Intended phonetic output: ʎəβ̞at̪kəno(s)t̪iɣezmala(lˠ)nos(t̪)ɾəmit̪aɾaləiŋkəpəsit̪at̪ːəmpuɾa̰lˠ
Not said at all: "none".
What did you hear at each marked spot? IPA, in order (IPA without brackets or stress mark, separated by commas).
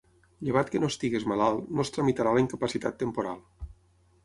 s, lˠ, t̪